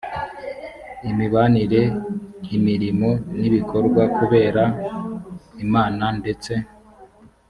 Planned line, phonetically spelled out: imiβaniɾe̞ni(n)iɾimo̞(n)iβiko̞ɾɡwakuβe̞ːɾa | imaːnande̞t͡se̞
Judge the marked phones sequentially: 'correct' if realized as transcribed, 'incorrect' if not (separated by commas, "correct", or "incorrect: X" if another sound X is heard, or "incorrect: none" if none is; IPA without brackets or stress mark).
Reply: incorrect: m, correct